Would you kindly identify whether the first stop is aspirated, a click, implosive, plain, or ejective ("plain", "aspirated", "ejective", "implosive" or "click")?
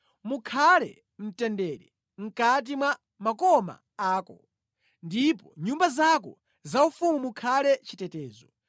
aspirated